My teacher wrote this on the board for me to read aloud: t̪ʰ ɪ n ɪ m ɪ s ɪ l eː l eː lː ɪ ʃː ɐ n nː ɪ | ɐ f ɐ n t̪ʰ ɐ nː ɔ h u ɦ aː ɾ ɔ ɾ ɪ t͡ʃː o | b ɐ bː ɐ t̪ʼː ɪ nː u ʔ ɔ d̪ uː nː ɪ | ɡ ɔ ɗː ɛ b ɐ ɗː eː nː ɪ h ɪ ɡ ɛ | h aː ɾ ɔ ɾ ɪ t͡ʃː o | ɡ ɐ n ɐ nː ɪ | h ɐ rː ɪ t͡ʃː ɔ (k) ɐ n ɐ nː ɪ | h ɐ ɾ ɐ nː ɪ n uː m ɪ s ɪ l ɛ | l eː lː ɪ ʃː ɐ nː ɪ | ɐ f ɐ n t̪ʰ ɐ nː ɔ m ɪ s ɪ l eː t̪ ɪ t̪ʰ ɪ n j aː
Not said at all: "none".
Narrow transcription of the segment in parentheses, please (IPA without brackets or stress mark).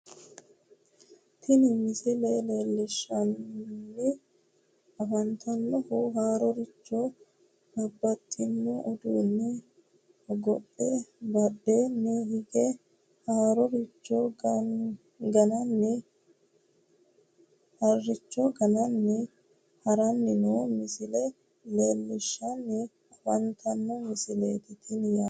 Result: ɡ